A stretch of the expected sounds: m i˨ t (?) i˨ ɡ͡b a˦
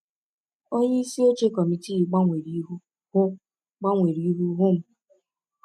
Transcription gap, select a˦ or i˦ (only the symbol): i˦